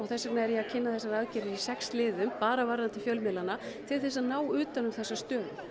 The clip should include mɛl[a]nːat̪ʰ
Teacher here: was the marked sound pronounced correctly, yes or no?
yes